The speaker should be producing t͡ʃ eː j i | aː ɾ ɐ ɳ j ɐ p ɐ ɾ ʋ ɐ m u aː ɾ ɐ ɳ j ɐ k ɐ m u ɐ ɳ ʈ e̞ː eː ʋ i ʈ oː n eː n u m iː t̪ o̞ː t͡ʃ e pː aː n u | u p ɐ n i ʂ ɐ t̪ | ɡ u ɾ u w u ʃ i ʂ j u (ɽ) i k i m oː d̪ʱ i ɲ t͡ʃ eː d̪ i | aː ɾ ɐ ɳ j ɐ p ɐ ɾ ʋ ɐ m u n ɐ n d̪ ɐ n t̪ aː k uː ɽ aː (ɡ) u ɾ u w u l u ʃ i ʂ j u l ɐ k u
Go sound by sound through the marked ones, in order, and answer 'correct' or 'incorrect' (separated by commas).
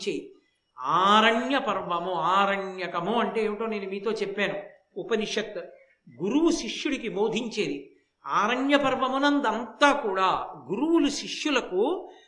correct, correct